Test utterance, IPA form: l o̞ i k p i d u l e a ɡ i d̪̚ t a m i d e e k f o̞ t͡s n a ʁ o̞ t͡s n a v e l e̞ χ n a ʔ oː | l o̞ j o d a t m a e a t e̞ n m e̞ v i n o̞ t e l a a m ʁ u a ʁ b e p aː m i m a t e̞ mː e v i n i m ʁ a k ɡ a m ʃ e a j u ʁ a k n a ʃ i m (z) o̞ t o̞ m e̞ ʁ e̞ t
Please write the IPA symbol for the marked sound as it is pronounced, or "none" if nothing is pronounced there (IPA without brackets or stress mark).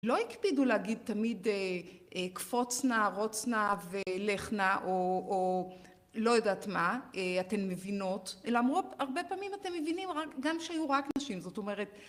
z